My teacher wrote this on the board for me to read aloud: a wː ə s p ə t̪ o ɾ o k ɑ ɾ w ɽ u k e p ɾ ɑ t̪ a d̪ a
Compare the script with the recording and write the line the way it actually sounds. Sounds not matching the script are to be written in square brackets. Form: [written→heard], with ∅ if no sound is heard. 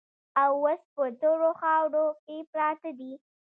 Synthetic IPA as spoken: a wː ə s p ə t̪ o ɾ o [k→x] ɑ [ɾ→∅] w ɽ [u→o] k e p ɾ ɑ t̪ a d̪ [a→i]